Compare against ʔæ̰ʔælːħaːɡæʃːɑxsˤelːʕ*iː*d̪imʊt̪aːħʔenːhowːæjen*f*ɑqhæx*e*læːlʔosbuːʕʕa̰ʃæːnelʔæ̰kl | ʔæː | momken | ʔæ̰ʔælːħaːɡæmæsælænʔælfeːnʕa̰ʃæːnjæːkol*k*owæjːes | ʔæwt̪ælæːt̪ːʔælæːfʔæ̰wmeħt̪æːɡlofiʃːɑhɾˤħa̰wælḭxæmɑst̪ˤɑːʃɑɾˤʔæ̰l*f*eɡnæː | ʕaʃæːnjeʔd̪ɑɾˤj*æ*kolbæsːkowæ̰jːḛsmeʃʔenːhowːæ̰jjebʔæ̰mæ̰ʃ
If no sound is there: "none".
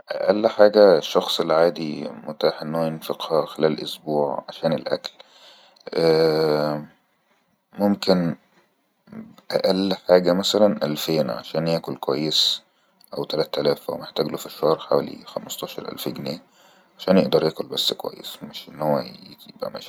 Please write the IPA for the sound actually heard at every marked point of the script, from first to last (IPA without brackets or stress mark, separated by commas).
aː, f, e, k, f, æː